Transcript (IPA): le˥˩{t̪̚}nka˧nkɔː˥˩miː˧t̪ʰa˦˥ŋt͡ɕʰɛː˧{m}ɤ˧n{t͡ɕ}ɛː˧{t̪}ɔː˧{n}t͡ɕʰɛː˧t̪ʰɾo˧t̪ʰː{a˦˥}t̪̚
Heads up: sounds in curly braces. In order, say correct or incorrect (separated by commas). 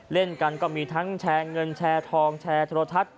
incorrect, incorrect, incorrect, incorrect, incorrect, correct